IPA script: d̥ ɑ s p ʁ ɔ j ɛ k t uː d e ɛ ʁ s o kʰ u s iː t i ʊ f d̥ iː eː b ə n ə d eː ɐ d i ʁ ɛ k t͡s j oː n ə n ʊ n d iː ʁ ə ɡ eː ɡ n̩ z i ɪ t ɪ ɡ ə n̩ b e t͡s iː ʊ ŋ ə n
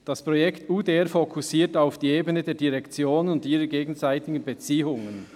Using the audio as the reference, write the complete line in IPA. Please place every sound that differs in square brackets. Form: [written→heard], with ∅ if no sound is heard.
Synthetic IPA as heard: d̥ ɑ s p ʁ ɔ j ɛ k t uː d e ɛ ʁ [s→f] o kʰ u s iː t [i→a] ʊ f d̥ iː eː b ə n ə d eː ɐ d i ʁ ɛ k t͡s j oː n ə n ʊ n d iː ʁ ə ɡ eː ɡ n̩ z [i→a] ɪ t ɪ ɡ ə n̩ b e t͡s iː ʊ ŋ ə n

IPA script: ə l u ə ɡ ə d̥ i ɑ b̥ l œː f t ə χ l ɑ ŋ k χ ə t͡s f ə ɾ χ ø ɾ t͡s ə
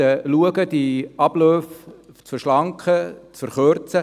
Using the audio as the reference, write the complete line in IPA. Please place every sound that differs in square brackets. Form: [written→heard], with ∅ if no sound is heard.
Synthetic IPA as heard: ə l u ə ɡ ə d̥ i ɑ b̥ l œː f [t→t͡s] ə [χ→ʃ] l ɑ ŋ k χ ə t͡s f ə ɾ χ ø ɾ t͡s ə

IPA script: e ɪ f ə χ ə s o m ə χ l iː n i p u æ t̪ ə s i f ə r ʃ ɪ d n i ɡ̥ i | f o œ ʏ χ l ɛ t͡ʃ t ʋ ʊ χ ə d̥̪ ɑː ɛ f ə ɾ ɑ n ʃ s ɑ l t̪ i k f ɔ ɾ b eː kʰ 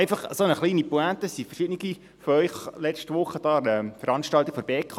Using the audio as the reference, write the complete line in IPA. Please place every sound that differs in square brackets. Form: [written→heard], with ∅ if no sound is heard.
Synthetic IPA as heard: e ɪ f [ə→ɑ] χ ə s o [m→n] ə χ l iː n i p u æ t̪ ə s i f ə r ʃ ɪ d n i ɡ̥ i | f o œ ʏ χ l ɛ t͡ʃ t ʋ ʊ χ ə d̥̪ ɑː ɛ f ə ɾ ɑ n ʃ [s→t] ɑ l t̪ i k f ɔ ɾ b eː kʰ

